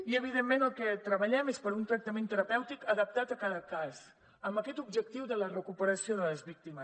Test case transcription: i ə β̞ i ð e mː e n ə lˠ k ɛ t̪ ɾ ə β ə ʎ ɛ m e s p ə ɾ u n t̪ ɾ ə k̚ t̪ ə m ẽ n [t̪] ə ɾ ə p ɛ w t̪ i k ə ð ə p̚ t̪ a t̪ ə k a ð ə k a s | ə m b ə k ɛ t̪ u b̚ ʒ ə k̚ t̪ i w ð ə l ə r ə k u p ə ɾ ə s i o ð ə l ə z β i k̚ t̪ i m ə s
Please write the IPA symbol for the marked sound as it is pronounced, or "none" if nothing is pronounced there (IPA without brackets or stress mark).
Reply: t̪